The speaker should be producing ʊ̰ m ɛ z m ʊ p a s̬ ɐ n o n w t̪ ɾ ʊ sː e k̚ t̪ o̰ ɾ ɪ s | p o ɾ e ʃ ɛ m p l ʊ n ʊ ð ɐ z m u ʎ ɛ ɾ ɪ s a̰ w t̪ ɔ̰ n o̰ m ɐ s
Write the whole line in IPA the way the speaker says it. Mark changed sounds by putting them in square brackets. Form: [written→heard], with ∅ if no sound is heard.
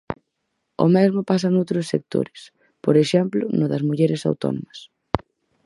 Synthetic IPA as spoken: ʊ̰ m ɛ z m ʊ p a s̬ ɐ n o [n→∅] w t̪ ɾ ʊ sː e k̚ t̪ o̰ ɾ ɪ s | p o ɾ e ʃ ɛ m p l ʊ n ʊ ð ɐ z m u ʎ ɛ ɾ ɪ s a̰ w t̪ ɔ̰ n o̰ m ɐ s